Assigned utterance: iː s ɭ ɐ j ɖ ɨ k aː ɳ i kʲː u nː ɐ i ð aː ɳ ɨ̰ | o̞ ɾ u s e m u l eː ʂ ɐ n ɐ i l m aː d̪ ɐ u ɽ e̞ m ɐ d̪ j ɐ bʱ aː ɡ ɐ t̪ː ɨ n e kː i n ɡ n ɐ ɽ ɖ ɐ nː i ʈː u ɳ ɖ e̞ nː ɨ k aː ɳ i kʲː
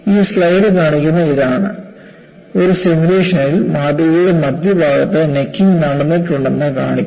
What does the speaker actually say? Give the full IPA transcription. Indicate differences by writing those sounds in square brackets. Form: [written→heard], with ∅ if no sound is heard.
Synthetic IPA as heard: iː s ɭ ɐ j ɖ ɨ k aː ɳ i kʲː u nː ɐ i ð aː ɳ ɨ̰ | o̞ ɾ u s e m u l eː ʂ ɐ n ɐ i l m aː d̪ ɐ u ɽ e̞ m ɐ d̪ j ɐ bʱ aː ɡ ɐ t̪ː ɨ n e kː i [n→ŋ] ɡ n ɐ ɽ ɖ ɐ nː i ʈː u ɳ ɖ e̞ nː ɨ k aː ɳ i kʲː